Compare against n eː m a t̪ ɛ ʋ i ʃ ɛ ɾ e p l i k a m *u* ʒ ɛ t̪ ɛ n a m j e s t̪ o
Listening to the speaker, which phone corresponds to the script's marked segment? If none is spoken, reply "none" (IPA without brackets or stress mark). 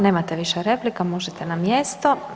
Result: o